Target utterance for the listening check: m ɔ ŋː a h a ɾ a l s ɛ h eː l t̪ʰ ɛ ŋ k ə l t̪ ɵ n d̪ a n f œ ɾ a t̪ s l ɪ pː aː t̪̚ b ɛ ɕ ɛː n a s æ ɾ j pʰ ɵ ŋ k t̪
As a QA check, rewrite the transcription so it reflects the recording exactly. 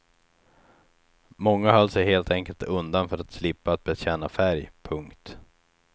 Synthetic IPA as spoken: m ɔ ŋː a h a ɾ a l s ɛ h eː l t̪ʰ ɛ ŋ k ə l t̪ ɵ n d̪ a n f œ ɾ a t̪ s l ɪ pː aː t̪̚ b ɛ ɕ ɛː n a f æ ɾ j pʰ ɵ ŋ k t̪

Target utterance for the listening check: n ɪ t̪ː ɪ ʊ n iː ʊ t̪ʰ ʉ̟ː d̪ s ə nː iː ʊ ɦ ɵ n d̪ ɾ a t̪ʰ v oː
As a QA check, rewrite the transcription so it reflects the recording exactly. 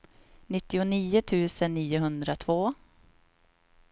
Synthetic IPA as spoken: n ɪ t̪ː ɪ ʊ n iː ʊ t̪ʰ ʉ̟ː s ə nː iː ʊ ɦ ɵ n d̪ ɾ a t̪ʰ v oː

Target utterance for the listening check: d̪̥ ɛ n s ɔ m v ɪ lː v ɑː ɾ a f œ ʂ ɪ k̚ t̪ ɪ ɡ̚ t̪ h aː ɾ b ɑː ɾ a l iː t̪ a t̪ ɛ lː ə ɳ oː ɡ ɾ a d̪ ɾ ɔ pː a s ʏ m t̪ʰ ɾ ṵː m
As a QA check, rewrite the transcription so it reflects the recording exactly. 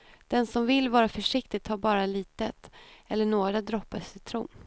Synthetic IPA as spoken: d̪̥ ɛ n s ɔ m v ɪ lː v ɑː ɾ a f œ ʂ ɪ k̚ t̪ ɪ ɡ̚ t̪ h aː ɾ b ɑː ɾ a l iː t̪ ə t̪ ɛ lː ə ɳ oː ɡ ɾ a d̪ ɾ ɔ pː a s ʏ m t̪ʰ ɾ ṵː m

